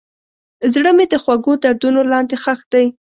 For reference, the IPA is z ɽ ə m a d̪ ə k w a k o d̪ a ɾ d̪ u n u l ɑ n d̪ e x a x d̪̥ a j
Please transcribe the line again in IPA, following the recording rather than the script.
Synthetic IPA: z ɽ ə m e d̪ ə x w a ɡ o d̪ a ɾ d̪ u n o l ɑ n d̪ e x a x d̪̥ a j